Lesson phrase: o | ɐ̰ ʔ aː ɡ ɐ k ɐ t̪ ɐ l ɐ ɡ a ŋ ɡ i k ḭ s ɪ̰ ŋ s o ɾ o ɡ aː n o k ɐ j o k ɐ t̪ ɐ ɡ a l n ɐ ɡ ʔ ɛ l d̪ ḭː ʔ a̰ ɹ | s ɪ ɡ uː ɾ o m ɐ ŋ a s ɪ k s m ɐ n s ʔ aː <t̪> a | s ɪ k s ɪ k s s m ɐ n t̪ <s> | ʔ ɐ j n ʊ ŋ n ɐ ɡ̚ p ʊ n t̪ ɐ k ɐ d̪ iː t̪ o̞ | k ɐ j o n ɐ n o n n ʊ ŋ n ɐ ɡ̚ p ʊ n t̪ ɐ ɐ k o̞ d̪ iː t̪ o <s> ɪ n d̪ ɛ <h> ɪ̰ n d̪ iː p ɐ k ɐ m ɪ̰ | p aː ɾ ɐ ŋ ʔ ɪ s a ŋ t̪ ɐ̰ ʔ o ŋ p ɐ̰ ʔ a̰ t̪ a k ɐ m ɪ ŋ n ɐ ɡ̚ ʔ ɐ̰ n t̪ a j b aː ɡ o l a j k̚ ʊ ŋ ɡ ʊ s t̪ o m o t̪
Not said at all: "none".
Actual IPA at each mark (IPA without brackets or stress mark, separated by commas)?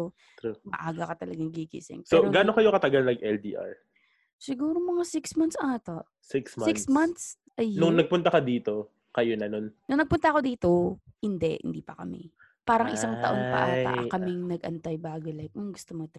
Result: t̪, s, h, h